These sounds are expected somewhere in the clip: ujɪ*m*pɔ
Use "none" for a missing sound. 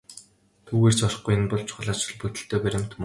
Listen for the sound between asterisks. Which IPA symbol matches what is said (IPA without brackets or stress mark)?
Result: n